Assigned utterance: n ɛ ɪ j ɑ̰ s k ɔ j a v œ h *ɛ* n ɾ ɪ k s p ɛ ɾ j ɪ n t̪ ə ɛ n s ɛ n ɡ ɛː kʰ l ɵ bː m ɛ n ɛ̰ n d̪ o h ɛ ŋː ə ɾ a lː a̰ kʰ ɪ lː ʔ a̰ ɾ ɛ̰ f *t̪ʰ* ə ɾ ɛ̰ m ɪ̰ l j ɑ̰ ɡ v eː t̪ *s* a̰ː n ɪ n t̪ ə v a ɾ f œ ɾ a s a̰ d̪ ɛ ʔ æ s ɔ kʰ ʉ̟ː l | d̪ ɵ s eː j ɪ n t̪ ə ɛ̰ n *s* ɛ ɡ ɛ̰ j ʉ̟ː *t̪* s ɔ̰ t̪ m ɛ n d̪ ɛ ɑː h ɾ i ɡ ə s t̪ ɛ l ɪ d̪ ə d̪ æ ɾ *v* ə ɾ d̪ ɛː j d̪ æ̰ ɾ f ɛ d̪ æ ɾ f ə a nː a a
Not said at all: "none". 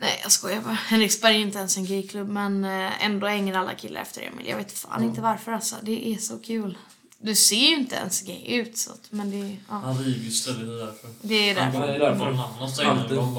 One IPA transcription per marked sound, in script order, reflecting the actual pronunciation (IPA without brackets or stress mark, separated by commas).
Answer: ɛ, t̪, f, s, t̪, f